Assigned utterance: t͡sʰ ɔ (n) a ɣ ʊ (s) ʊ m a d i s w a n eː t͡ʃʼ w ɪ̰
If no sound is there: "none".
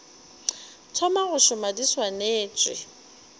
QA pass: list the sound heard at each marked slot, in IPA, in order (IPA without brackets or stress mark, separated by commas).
m, ʃ